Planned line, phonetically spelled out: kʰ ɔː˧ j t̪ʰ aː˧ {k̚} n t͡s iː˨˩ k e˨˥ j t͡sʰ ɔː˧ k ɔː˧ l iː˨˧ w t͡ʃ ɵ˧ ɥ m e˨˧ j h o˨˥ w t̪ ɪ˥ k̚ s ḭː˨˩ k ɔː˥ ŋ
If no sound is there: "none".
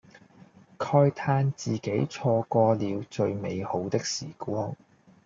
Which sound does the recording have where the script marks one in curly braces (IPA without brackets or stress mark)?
none